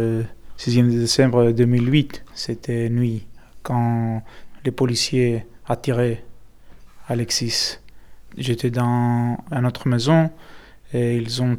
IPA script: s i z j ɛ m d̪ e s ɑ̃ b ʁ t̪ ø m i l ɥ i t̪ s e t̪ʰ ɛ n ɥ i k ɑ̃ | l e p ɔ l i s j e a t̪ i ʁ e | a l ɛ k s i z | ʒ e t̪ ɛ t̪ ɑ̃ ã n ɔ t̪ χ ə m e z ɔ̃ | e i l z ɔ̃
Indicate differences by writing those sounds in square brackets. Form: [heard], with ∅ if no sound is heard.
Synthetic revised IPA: s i z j ɛ m d̪ e s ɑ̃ b ʁ [d̪] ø m i l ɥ i t̪ s e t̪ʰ ɛ n ɥ i k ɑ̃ | l e p ɔ l i s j e a t̪ i ʁ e | a l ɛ k s i [s] | ʒ e t̪ ɛ [d̪] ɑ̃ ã n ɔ t̪ χ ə m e z ɔ̃ | e i l z ɔ̃